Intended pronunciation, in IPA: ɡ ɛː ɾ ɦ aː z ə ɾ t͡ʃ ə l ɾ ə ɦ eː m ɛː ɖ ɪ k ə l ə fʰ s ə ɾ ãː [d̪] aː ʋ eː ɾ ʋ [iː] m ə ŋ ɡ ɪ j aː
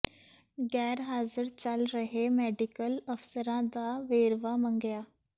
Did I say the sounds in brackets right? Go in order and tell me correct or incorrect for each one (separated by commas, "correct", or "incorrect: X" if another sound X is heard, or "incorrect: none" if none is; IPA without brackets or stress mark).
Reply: correct, incorrect: aː